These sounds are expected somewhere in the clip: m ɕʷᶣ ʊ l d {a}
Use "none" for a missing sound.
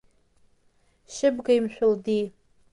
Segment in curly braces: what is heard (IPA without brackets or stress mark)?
i